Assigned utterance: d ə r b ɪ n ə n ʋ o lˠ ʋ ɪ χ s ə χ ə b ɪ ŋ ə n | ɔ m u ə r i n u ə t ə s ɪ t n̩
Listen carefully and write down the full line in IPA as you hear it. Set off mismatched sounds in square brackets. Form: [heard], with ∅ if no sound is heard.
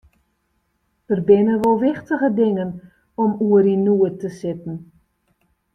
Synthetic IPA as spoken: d ə r b ɪ n ə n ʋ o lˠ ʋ ɪ χ [t] ə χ ə [d] ɪ ŋ ə n | ɔ m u ə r i n u ə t ə s ɪ t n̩